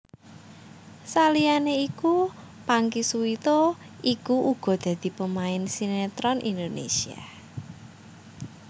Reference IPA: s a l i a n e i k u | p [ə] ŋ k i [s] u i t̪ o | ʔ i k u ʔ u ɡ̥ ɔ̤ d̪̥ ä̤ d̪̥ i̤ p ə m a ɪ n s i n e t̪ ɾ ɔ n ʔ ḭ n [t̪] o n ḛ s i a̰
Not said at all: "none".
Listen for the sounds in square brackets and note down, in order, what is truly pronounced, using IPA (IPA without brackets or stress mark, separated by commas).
a, s, d̪